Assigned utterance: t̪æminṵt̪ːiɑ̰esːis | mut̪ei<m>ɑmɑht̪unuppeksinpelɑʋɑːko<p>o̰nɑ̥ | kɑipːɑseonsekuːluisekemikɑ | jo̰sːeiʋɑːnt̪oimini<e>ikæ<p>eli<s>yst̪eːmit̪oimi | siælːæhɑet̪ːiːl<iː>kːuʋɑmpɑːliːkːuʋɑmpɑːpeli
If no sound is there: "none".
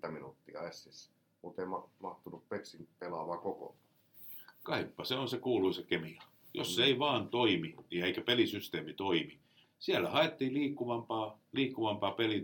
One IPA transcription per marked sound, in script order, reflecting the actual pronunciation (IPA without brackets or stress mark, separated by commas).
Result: m, k, e, p, s, iː